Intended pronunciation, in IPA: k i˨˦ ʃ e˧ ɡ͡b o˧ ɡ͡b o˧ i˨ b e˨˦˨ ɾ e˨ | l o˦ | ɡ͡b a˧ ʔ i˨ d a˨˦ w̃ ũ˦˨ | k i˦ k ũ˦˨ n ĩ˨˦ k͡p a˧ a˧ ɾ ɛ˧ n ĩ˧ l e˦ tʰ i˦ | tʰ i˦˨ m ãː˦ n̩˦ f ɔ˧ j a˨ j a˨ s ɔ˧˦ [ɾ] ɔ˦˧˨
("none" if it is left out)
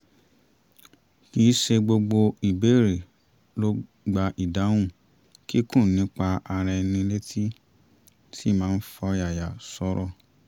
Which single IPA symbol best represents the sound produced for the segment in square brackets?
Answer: ɾ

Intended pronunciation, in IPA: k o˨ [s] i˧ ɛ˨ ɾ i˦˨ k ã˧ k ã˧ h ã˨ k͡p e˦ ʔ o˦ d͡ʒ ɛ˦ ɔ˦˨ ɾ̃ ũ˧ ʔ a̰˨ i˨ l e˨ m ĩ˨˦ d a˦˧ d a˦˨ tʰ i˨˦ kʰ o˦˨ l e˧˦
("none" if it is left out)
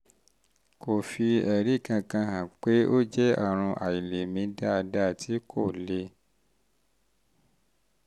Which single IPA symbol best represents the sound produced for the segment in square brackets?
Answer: f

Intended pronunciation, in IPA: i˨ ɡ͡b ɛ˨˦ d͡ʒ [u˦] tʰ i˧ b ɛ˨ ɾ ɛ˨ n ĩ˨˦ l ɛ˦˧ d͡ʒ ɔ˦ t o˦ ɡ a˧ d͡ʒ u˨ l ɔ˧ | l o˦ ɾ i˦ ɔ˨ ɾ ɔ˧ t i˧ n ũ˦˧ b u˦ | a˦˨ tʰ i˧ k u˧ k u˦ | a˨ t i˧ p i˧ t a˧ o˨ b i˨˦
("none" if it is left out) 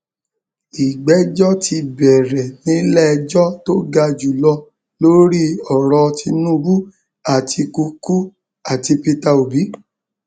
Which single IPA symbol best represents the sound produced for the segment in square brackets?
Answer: ɔ˦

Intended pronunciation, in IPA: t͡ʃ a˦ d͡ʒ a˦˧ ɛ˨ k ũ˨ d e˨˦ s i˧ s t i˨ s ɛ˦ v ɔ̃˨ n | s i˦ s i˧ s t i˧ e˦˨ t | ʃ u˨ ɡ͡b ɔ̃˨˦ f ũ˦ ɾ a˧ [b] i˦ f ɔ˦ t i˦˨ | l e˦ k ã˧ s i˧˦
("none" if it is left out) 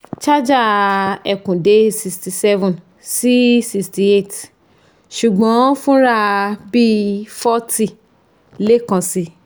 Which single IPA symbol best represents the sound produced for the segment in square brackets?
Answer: b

